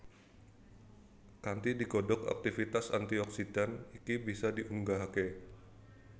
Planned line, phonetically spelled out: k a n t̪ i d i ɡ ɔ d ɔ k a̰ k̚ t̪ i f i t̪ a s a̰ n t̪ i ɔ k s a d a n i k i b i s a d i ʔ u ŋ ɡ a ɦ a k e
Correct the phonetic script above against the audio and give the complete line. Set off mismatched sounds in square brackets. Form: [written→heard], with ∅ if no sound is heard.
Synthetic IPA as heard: k a n t̪ i d i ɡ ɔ d ɔ k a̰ k̚ t̪ i f i t̪ a s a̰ n t̪ i ɔ k s [a→i] d a n i k i b i s a d i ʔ u ŋ ɡ a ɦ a k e

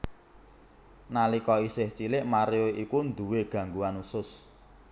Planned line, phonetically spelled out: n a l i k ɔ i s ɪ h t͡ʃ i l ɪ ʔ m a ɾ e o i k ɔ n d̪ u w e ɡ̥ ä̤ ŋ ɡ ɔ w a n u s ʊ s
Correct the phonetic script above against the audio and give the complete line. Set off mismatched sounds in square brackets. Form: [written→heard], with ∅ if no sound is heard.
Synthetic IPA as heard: n a l i k ɔ i s ɪ h t͡ʃ i l ɪ ʔ m a ɾ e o i k [ɔ→u] n d̪ u w e ɡ̥ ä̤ ŋ ɡ [ɔ→u] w a n u s ʊ s

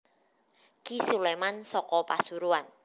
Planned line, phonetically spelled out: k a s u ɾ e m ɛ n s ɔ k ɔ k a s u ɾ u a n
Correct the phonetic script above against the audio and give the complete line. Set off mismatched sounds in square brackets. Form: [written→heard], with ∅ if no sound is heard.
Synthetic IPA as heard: k [a→i] s u [ɾ→l] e m [ɛ→a] n s ɔ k ɔ [k→p] a s u ɾ u a n

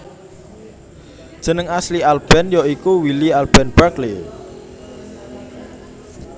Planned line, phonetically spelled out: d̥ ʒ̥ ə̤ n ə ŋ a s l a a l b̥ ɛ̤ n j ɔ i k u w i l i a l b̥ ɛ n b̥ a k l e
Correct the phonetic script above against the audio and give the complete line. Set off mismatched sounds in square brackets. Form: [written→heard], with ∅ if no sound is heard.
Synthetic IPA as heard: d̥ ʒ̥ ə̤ n ə ŋ a s l [a→i] a l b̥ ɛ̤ n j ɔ i k u w i l i a l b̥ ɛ n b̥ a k l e

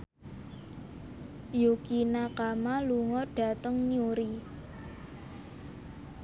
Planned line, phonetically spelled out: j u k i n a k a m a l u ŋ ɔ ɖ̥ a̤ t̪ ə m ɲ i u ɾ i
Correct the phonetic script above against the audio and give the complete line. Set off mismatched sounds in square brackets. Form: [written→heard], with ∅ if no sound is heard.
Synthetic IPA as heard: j u k i n a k a m a l u ŋ ɔ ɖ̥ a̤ t̪ ə [m→ŋ] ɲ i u ɾ i

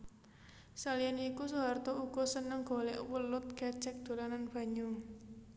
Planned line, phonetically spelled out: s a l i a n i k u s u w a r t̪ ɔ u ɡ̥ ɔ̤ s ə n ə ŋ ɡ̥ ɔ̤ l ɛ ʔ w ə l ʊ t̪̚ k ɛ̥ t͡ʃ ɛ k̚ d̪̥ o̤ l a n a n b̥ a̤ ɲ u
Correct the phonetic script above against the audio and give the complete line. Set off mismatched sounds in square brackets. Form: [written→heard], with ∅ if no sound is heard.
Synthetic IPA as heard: s a l i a n i k u s u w a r t̪ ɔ u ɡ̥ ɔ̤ s ə n ə ŋ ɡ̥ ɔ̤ l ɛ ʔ w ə l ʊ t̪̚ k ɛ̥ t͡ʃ ɛ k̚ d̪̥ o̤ l a n a n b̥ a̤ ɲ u

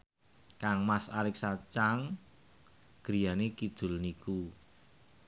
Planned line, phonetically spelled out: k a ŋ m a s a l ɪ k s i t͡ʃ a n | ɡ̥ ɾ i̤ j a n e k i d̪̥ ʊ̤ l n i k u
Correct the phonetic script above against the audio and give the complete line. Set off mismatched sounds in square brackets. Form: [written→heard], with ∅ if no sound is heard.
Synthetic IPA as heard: k a ŋ m a s a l ɪ k s [i→a] t͡ʃ a [n→ŋ] | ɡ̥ ɾ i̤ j a n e k i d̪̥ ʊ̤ l n i k u

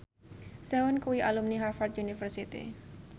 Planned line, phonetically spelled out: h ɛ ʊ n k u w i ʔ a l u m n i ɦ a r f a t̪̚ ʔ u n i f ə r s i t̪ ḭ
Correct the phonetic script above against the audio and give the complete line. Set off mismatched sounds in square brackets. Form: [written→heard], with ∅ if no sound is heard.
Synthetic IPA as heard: [h→s] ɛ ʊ n k u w i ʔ a l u m n i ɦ a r f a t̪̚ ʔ u n i f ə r s i t̪ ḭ

